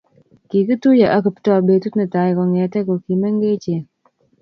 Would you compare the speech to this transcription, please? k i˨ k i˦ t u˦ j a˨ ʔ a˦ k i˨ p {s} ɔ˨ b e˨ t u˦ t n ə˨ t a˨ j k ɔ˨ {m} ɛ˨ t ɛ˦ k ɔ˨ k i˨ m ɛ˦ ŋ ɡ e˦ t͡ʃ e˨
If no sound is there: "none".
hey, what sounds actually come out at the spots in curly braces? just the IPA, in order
t, ŋ

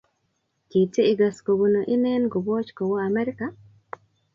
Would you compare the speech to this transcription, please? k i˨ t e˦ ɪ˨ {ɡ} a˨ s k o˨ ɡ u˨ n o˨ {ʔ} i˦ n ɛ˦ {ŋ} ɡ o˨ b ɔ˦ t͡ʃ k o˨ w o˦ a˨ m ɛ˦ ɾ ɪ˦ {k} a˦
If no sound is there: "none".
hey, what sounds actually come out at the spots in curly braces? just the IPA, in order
ɡ, ʔ, n, k

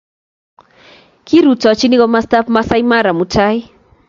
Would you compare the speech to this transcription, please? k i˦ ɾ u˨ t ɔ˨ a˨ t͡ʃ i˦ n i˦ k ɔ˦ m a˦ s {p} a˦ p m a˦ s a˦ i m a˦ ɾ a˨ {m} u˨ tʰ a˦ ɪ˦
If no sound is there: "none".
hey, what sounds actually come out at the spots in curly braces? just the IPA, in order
t, m

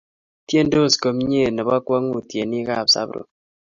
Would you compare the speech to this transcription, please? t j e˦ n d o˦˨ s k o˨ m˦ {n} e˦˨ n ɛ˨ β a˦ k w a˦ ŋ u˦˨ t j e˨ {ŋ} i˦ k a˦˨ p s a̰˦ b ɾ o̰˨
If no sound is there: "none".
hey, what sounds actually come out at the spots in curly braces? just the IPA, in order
ɲ, n

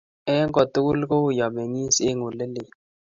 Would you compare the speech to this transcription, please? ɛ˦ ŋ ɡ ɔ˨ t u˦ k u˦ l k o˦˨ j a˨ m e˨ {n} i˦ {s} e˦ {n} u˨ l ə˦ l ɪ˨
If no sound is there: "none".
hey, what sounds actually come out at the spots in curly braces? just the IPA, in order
ŋ, s, ŋ

